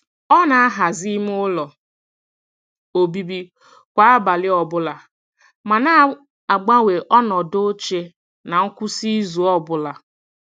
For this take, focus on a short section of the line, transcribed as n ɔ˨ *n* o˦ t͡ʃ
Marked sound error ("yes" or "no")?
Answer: yes